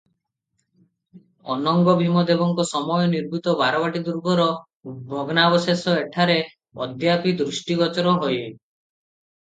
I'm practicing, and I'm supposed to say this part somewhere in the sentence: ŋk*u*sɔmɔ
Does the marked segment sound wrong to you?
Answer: yes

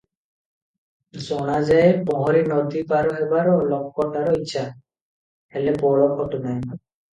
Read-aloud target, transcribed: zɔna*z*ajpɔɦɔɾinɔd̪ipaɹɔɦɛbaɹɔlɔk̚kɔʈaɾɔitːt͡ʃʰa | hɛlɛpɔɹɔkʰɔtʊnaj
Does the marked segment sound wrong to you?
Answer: no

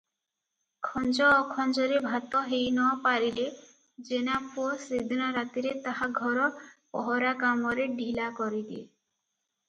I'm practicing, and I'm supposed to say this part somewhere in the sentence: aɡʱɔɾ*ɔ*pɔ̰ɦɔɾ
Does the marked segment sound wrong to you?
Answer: no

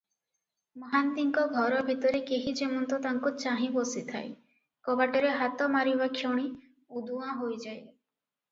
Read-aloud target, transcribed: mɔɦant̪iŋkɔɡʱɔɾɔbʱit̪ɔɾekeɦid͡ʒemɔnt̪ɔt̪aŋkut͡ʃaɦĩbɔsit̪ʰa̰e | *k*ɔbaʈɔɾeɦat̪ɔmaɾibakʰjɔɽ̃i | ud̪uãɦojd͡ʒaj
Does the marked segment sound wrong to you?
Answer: no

